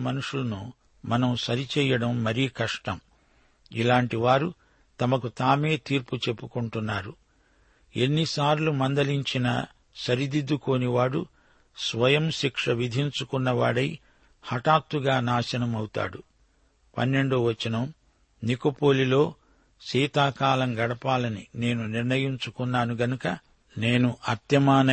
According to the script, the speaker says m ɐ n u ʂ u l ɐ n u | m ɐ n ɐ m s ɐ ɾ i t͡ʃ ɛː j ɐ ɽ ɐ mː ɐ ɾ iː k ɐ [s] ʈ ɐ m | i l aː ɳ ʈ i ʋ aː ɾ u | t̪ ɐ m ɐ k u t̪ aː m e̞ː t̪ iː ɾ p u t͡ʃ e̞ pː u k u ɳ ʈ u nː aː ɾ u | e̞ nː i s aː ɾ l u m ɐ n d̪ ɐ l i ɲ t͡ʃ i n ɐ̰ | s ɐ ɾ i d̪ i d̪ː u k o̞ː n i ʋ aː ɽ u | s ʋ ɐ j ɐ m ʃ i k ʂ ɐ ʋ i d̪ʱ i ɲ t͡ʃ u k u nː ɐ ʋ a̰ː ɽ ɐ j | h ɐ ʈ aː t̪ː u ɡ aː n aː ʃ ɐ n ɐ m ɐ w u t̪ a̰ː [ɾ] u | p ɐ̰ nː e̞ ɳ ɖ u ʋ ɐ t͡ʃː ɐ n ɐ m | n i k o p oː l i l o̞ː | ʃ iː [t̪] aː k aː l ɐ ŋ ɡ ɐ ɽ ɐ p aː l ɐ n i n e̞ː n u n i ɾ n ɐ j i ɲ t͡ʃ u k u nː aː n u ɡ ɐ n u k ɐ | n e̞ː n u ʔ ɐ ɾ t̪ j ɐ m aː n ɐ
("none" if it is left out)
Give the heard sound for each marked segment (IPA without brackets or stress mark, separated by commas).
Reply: ʂ, ɽ, t̪